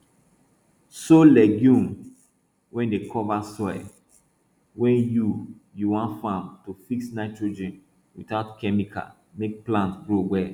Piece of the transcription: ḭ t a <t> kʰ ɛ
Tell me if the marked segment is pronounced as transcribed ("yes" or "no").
yes